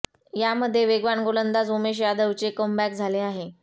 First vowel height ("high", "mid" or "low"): low